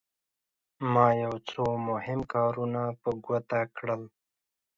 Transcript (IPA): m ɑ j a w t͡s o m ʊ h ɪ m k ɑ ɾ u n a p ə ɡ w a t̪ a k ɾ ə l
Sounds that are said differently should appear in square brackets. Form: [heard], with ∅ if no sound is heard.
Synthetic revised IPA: m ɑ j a w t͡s o m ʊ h ɪ m k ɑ ɾ u n a p ə ɡ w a t̪ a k [ɽ] ə l